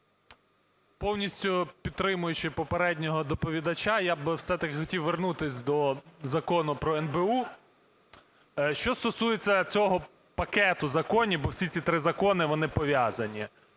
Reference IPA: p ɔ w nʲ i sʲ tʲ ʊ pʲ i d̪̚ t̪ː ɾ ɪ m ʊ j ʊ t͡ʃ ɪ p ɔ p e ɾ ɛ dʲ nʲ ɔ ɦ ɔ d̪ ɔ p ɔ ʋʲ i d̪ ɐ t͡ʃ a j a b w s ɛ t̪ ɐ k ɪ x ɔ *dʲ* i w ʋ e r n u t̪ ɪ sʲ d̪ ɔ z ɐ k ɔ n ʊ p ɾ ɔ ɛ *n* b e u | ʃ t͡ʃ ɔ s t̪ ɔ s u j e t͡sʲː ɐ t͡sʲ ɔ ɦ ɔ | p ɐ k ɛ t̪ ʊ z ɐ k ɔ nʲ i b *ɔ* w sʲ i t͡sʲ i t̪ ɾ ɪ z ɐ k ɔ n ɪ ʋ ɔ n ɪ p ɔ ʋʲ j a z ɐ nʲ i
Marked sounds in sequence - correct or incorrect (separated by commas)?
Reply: incorrect, correct, correct